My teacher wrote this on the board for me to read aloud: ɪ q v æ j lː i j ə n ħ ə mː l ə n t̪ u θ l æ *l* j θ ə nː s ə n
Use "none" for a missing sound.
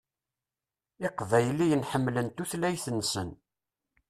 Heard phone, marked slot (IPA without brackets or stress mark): none